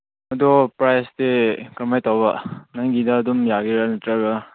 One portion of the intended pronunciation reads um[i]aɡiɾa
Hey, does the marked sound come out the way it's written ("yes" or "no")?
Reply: no